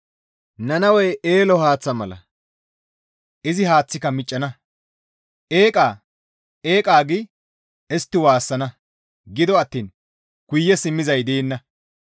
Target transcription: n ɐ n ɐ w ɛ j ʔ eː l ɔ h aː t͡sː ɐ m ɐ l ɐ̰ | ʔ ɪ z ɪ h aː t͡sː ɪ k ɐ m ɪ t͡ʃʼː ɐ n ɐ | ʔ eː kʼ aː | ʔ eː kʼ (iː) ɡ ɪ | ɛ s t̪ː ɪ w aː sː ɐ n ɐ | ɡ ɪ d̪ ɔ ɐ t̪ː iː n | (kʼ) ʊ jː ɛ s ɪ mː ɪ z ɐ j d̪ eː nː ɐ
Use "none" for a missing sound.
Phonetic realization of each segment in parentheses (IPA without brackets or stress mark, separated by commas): aː, k